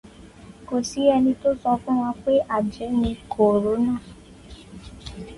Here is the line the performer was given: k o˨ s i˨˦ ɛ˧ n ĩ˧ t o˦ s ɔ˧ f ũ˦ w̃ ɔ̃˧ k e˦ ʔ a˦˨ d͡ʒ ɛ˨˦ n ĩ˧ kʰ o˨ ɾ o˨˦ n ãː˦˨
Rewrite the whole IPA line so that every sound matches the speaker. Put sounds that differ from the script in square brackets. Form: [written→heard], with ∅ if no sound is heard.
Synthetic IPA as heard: k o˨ s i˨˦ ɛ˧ n ĩ˧ t o˦ s ɔ˧ f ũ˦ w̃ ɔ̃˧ [k→k͡p] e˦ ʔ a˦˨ d͡ʒ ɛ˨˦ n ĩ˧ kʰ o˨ ɾ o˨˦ n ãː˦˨